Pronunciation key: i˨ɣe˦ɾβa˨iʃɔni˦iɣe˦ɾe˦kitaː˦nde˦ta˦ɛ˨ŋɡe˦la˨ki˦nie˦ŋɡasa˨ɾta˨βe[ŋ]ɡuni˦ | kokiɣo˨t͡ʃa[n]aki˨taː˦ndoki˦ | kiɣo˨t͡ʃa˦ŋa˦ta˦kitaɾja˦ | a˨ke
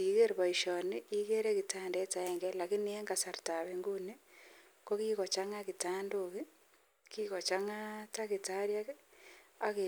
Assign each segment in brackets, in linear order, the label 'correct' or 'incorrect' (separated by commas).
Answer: correct, incorrect